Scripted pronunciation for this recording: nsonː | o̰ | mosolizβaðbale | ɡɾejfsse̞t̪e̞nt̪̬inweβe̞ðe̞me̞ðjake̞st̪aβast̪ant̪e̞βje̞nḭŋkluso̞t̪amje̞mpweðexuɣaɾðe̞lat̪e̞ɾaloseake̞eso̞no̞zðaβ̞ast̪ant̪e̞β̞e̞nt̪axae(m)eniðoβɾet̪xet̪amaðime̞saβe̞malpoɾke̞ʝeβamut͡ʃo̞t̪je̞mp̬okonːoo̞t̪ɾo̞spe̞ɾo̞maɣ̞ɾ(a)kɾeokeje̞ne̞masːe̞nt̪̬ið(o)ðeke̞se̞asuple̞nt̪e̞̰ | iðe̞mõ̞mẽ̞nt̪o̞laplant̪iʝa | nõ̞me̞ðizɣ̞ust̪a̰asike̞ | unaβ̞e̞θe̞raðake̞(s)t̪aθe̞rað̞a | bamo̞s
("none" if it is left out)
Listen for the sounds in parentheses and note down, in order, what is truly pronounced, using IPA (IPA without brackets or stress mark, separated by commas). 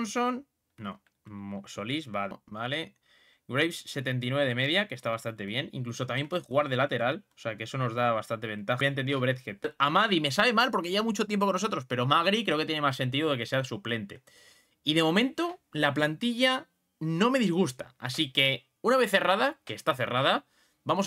n, i, o, s